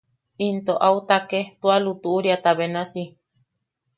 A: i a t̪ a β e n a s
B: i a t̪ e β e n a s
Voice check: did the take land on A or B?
A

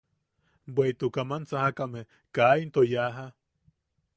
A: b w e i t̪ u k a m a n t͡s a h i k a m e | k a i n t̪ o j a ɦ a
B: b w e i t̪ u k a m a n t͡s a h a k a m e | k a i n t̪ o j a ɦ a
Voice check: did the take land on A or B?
B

